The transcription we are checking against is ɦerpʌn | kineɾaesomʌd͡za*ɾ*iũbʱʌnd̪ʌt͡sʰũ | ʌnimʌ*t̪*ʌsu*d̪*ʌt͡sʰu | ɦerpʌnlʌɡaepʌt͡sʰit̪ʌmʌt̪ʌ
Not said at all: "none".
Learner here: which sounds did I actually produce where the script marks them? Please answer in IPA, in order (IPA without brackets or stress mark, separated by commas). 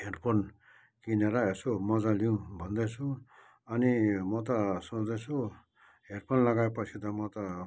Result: l, t̪, d̪